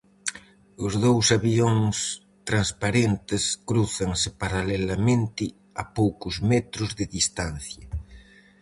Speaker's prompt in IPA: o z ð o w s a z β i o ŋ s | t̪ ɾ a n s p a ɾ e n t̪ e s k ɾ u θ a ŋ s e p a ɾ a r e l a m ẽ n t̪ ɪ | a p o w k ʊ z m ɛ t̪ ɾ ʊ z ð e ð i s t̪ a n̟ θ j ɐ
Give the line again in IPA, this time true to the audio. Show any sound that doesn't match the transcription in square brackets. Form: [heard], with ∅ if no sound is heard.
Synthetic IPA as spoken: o z ð o w s a [∅] β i o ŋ s | t̪ ɾ a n s p a ɾ e n t̪ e s k ɾ u θ a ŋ s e p a ɾ a [l] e l a m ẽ n t̪ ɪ | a p o w k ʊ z m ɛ t̪ ɾ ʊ z ð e ð i s t̪ a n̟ θ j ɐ